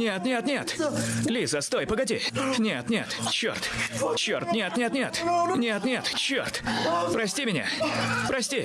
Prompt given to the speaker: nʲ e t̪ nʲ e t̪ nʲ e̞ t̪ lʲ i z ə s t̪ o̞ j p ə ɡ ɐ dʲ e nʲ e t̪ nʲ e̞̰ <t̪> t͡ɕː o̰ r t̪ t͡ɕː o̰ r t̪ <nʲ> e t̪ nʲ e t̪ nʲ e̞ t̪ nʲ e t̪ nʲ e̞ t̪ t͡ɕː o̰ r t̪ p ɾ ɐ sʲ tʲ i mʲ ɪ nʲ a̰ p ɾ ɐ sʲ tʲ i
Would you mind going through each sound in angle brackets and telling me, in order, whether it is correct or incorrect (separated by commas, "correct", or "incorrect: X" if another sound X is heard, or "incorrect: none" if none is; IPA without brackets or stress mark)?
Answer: correct, correct